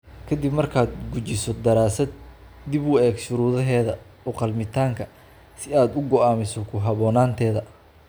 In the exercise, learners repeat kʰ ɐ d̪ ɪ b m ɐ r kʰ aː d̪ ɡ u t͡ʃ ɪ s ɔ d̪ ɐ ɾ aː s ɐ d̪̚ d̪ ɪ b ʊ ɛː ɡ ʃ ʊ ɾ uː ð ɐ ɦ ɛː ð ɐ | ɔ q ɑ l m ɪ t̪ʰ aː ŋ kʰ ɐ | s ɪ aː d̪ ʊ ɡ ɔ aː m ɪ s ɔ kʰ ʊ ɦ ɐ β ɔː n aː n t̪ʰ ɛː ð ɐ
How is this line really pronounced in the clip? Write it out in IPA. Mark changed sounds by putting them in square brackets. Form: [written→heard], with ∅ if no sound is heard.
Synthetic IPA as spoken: kʰ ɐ d̪ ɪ b m ɐ r kʰ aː d̪ ɡ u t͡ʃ ɪ s ɔ d̪ ɐ ɾ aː s ɐ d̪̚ d̪ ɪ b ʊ ɛː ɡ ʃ ʊ ɾ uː ð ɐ ɦ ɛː ð ɐ | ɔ q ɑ l m ɪ t̪ʰ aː ŋ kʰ ɐ | s ɪ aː d̪ ʊ ɡ ɔ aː m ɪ s ɔ kʰ ʊ ɦ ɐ β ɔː n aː n t̪ʰ ɛː ð ɐ